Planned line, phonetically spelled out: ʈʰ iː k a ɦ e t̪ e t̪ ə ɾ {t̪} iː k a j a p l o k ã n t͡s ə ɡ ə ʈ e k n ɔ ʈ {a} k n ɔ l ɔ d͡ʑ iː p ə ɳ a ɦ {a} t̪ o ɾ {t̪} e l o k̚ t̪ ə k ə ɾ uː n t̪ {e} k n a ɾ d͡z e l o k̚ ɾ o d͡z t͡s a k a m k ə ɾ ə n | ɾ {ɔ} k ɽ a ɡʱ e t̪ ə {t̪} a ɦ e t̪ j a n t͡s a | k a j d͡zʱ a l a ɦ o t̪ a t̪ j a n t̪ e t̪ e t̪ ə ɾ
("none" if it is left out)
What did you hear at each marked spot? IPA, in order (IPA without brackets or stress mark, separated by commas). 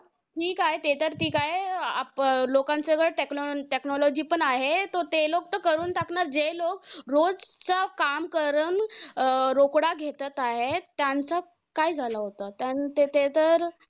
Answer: t̪, e, e, t̪, a, o, t̪